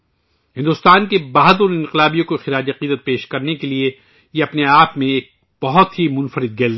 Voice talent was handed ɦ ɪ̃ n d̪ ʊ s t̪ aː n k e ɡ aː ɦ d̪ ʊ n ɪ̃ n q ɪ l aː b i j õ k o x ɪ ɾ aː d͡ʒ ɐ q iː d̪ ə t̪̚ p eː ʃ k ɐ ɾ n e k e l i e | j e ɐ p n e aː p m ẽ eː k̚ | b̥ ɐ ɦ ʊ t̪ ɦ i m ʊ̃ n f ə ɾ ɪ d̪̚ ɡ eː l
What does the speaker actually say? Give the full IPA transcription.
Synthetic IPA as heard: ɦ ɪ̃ n d̪ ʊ s t̪ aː n k e b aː ɦ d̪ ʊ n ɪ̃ n q ɪ l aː b i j õ k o x ɪ ɾ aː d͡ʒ ɐ q iː d̪ ə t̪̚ p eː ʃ k ɐ ɾ n e k e l i e | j e ɐ p n e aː p m ẽ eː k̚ | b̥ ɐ ɦ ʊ t̪ ɦ i m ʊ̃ n f ə ɾ ɪ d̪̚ ɡ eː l